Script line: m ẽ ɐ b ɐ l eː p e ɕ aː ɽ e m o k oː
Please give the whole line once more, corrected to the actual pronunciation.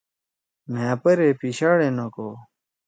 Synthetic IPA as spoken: m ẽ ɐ p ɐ ɾ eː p i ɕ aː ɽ e n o k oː